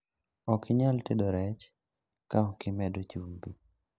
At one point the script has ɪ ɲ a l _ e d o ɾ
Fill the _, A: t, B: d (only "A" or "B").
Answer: A